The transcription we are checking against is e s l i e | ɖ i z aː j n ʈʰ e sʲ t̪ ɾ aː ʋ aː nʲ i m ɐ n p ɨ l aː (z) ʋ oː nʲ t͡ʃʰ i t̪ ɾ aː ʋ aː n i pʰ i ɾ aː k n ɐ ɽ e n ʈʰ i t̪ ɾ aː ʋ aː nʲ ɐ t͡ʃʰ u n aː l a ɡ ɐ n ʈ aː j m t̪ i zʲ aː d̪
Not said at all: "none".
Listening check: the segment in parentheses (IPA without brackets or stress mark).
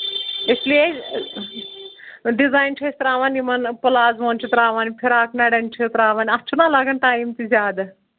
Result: z